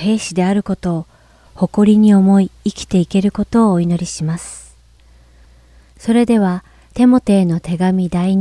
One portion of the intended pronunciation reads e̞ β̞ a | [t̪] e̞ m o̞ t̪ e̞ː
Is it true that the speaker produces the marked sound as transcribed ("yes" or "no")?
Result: yes